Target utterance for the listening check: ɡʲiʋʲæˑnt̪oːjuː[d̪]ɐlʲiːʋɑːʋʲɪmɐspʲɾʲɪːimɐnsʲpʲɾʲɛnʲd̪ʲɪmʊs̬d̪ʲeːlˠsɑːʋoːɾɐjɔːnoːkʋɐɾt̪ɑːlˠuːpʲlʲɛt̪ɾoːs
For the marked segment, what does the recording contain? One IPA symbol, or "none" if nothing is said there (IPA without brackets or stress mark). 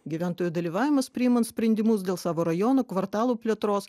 d̪